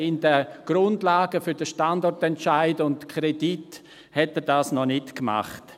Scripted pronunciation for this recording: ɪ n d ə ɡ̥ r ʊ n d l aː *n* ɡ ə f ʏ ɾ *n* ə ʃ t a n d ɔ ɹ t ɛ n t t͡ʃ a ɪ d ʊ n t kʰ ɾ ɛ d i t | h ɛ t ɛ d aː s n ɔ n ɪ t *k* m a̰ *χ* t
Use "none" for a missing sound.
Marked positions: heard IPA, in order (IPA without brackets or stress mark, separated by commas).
none, d, k, χ